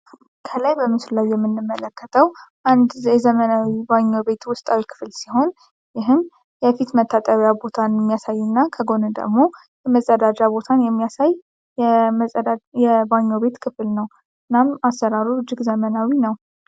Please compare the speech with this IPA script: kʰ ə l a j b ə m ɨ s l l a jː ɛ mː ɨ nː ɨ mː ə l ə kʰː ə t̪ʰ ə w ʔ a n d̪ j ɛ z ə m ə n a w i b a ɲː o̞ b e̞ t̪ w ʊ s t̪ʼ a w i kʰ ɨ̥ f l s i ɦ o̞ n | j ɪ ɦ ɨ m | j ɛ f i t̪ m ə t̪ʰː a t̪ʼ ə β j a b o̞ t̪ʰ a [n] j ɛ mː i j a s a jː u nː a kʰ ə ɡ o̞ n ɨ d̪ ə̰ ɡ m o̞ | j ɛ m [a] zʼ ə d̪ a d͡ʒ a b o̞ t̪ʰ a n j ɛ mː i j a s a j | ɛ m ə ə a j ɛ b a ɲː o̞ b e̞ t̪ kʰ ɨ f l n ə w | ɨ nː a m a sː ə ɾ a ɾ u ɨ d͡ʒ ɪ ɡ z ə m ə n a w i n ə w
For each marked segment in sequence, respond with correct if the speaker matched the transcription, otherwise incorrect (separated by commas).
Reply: correct, incorrect